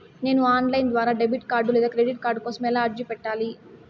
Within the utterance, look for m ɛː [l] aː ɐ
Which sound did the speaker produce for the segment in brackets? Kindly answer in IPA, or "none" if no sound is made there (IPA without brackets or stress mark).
l